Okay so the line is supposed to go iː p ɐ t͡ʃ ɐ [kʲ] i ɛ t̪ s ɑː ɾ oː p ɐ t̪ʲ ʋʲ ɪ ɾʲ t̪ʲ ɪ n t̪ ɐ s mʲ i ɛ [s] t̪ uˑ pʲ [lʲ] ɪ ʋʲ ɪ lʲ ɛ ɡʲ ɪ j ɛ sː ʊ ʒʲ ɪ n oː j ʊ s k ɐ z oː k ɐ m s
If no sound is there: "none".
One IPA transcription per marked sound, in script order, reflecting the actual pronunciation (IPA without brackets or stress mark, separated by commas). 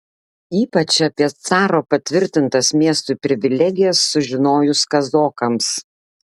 pʲ, s, ɾʲ